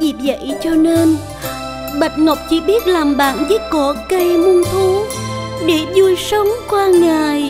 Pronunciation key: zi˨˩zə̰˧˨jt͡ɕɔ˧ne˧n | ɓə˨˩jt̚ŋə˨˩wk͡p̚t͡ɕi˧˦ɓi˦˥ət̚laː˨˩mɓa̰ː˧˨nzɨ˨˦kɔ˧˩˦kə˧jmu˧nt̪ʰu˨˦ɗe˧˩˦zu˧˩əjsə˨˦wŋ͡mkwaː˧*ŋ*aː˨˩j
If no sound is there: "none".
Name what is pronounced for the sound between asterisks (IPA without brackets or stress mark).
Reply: ŋ